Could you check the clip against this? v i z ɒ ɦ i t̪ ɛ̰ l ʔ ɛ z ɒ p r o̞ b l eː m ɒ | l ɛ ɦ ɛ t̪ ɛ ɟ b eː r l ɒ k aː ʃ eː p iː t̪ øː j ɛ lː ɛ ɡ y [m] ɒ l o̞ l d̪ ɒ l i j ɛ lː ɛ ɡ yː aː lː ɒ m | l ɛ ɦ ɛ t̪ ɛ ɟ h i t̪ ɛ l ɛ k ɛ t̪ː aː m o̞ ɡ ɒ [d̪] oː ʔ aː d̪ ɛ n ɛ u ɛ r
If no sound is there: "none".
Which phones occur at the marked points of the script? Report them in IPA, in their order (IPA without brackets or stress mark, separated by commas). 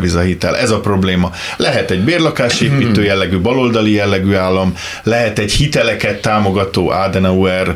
b, t̪